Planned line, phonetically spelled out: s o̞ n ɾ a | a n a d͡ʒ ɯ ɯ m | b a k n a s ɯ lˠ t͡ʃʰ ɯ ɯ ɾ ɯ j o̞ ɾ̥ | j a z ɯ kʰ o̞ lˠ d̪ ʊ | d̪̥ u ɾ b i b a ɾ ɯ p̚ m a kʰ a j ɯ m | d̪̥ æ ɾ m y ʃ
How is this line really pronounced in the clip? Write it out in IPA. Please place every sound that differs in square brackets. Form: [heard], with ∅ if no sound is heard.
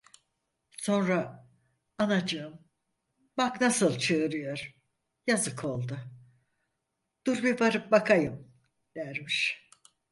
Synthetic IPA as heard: s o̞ n ɾ a | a n a d͡ʒ ɯ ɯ m | b a k n a s ɯ lˠ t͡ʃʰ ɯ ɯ ɾ ɯ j o̞ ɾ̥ | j a z ɯ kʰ o̞ lˠ d̪ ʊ | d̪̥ u ɾ b i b a ɾ ɯ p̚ [b] a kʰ a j ɯ m | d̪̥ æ ɾ m [i] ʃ